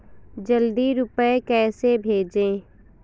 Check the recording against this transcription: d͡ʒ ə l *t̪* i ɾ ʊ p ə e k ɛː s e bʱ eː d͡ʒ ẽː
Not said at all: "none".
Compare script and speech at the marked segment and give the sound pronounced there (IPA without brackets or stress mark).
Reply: d̪